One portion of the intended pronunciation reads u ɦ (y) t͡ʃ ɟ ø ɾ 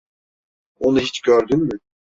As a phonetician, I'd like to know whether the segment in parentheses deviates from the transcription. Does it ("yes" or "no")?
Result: yes